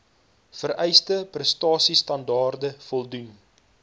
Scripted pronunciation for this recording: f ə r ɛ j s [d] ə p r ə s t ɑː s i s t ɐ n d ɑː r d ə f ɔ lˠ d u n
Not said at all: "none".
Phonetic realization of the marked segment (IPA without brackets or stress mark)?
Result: t